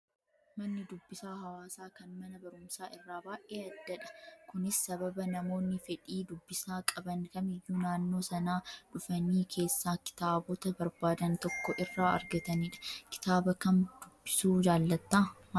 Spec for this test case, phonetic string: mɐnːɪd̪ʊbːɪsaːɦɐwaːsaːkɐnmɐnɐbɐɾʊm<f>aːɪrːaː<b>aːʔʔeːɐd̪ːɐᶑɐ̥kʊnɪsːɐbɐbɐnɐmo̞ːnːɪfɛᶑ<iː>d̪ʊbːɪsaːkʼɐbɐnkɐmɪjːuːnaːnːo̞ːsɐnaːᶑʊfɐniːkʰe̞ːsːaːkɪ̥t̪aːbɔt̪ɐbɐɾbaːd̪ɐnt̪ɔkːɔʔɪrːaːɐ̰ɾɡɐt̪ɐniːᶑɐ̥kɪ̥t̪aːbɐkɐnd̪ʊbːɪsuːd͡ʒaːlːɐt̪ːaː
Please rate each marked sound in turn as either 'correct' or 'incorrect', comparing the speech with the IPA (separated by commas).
incorrect, correct, correct